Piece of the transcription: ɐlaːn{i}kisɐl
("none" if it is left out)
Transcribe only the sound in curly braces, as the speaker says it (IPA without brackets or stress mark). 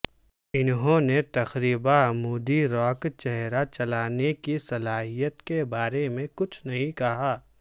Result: e